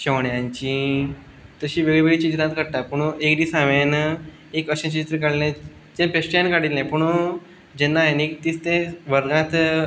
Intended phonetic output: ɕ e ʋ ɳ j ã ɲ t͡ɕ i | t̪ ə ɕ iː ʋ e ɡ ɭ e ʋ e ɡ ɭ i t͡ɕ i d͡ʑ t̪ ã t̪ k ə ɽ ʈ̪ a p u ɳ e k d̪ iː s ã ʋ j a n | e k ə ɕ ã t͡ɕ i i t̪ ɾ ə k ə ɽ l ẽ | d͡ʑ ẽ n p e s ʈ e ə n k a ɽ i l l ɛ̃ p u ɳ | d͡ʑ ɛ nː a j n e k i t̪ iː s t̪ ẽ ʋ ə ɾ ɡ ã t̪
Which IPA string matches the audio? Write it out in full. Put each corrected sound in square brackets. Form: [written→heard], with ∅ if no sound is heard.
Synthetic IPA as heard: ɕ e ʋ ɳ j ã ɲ t͡ɕ i | t̪ ə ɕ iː ʋ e ɡ ɭ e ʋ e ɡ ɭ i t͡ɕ i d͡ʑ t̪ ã t̪ k ə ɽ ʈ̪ a p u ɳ e k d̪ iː s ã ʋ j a n | e k ə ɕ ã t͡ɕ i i t̪ ɾ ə k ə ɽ l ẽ | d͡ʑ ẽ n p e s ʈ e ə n k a ɽ i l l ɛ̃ p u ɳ | d͡ʑ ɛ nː a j n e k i t̪ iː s t̪ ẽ ʋ ə ɾ ɡ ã t̪